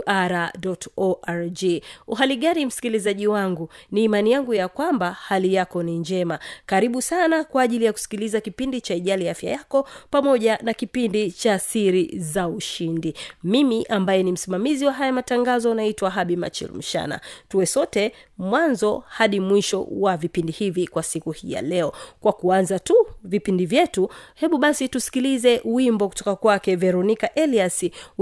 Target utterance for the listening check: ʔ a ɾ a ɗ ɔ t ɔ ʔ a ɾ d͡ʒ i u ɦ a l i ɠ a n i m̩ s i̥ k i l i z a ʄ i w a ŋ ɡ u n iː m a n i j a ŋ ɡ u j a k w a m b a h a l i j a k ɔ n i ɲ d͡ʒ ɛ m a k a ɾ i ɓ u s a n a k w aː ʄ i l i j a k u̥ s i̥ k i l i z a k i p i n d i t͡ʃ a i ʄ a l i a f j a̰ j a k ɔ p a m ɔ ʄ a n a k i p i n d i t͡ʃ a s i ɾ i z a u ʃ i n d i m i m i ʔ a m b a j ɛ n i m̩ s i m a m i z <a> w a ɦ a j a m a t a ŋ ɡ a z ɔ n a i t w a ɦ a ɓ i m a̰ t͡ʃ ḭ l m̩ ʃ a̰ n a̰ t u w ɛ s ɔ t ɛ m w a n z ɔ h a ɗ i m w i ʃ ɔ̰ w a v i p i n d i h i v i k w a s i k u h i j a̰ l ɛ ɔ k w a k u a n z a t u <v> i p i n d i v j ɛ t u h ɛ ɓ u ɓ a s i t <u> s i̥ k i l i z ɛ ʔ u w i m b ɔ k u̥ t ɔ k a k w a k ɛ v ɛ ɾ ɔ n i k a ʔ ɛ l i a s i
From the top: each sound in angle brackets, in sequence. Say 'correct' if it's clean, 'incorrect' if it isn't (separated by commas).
incorrect, correct, correct